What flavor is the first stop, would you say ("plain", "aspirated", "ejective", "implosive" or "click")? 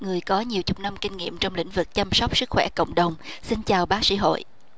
plain